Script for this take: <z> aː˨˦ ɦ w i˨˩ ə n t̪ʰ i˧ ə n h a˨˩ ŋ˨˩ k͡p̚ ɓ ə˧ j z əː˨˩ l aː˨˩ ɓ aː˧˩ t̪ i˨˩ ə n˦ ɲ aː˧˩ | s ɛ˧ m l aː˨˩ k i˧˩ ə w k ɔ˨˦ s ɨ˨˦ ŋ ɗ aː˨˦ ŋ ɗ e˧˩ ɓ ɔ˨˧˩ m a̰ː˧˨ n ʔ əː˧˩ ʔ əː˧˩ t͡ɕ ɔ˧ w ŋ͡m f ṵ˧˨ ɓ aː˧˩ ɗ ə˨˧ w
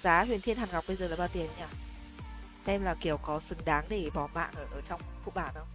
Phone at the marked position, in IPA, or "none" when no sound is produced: z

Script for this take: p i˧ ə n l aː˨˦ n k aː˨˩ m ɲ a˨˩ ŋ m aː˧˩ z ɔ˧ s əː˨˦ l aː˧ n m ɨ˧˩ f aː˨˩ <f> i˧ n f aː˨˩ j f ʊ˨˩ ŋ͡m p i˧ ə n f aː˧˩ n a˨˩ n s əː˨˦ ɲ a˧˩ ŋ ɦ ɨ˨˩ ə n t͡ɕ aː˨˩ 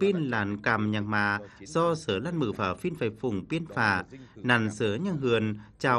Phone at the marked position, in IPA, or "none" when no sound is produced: f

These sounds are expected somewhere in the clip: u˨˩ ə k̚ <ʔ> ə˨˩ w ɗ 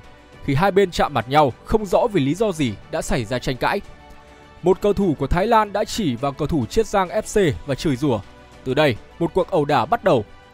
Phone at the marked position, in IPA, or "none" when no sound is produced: ʔ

